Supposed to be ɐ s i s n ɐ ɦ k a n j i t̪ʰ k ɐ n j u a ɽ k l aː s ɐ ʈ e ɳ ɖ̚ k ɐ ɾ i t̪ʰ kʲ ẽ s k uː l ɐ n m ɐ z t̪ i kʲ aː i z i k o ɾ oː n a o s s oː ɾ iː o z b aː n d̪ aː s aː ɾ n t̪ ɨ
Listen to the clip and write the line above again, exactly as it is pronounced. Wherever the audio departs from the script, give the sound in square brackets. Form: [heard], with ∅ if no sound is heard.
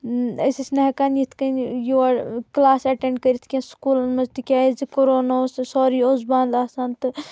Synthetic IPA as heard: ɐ s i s n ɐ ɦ k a n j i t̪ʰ k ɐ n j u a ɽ k l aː s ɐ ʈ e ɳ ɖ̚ k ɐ ɾ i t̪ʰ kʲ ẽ s k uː l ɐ n m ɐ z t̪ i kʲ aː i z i k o ɾ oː n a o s s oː ɾ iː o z b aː n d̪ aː s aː [∅] n t̪ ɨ